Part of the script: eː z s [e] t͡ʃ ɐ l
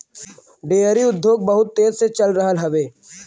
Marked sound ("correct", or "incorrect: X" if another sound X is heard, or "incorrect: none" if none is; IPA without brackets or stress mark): correct